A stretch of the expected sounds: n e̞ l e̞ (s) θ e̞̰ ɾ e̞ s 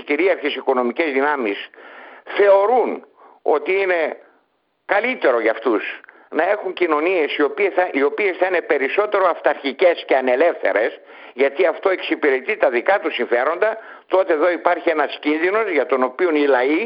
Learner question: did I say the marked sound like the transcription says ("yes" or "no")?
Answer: no